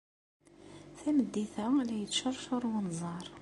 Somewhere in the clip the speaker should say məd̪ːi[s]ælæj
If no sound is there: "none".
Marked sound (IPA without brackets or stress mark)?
θ